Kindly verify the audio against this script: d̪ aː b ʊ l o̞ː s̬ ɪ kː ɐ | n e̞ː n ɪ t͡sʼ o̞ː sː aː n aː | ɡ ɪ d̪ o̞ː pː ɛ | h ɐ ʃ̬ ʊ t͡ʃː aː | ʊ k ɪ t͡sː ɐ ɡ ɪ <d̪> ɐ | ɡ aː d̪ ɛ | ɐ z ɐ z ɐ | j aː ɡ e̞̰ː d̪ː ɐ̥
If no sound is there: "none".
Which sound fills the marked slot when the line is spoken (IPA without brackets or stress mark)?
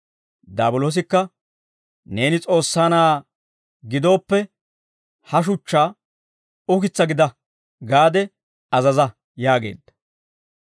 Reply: d̪